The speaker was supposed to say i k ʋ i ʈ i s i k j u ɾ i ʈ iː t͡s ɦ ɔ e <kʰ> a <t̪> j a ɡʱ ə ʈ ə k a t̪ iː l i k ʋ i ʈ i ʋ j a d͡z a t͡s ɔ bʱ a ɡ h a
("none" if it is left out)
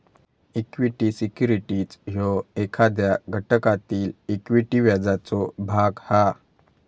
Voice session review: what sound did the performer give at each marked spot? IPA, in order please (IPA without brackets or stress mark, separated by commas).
kʰ, d̪